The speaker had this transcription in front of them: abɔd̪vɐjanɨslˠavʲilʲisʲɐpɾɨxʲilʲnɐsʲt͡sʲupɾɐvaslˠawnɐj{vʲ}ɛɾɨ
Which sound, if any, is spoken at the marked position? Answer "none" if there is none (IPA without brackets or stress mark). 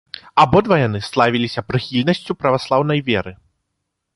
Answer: vʲ